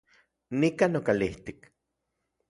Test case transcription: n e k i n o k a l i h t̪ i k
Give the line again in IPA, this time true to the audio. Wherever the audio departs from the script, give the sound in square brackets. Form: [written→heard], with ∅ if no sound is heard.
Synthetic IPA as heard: n [e→i] k [i→a] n o k a l i h t̪ i k